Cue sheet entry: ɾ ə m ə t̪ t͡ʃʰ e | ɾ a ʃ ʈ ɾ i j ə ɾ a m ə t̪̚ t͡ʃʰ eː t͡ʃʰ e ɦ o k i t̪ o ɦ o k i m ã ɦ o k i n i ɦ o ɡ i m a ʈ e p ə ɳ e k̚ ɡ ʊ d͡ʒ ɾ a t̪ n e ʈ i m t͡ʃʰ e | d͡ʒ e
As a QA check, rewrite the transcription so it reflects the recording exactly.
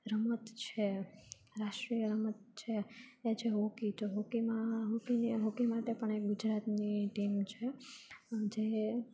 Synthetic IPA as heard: ɾ ə m ə t̪ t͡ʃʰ e | ɾ a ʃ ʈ ɾ i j ə ɾ ə m ə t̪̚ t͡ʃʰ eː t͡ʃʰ e ɦ o k i t̪ o ɦ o k i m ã ɦ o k i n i ɦ o k i m a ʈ e p ə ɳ e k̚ ɡ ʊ d͡ʒ ɾ a t̪ n i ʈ i m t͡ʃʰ e | d͡ʒ e